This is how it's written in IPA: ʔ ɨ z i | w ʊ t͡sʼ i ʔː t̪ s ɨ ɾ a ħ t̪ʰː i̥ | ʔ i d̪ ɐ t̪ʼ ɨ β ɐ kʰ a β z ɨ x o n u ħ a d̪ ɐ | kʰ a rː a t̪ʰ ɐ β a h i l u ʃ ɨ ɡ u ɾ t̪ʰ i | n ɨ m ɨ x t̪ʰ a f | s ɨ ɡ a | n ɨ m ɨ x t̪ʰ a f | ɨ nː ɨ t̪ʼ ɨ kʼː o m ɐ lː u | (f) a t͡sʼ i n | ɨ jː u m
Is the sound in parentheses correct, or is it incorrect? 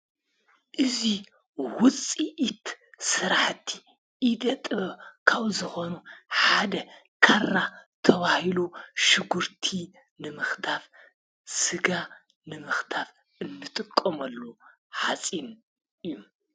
incorrect